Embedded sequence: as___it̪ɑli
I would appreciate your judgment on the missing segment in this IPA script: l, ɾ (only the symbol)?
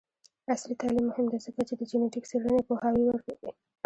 l